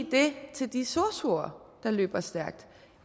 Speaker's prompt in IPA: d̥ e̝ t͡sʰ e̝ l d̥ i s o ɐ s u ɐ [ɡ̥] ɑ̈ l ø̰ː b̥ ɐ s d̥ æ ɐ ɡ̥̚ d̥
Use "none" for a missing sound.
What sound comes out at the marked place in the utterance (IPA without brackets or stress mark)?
d̥